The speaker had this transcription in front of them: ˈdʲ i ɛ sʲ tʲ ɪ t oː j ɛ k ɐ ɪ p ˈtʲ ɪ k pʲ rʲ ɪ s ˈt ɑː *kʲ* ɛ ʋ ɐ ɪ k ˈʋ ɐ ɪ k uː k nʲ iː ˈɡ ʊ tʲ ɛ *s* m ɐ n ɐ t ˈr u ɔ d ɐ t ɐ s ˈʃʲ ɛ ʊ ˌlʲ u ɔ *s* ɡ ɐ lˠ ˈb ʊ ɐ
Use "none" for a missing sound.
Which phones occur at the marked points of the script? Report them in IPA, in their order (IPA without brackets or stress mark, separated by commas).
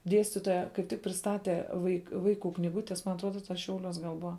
tʲ, s, s